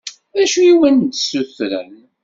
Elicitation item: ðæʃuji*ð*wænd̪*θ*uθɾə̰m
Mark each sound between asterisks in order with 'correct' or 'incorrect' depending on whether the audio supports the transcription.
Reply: incorrect, incorrect

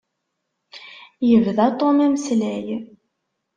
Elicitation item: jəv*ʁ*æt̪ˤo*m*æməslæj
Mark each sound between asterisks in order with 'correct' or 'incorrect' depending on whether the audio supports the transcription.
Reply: incorrect, correct

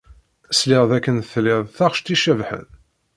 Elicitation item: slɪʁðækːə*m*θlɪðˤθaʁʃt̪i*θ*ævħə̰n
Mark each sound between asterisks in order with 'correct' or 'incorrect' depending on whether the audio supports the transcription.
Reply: incorrect, incorrect

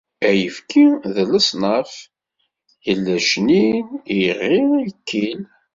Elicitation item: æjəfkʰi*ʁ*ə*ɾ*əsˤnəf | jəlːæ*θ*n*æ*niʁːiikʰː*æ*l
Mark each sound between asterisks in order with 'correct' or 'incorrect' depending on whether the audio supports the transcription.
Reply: incorrect, incorrect, incorrect, incorrect, incorrect

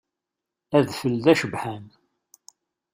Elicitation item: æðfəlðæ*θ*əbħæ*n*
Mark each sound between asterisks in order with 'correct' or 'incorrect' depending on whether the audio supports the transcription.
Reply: incorrect, correct

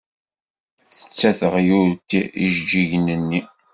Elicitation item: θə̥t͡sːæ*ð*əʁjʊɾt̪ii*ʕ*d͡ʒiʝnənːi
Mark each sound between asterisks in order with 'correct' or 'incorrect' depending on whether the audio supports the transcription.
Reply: incorrect, incorrect

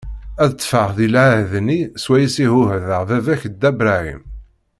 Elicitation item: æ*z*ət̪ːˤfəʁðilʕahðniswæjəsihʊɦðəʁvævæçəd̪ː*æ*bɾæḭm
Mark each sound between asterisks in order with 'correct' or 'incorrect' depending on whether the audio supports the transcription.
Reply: incorrect, correct

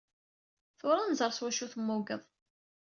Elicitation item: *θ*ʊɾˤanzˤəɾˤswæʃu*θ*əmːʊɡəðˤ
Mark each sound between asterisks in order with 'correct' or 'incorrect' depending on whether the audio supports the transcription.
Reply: correct, correct

